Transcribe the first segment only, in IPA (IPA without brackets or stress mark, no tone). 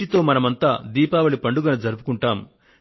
i